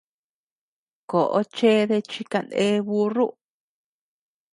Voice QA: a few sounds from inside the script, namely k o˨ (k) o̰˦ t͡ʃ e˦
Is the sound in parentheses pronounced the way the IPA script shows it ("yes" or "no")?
no